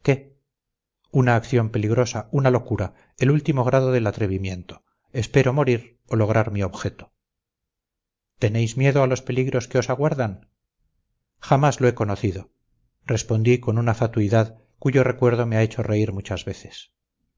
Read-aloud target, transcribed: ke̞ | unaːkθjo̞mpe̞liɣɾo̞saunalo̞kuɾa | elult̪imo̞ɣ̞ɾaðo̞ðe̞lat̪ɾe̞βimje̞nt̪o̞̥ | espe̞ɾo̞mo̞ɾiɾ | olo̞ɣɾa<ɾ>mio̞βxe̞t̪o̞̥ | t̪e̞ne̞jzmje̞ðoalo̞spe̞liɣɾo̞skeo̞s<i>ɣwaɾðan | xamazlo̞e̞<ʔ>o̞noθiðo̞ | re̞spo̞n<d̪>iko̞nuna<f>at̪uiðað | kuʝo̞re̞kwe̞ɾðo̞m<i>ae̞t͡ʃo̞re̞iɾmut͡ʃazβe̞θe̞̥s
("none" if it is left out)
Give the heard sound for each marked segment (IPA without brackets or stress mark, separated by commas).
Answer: ɾ, a, k, d̪, f, e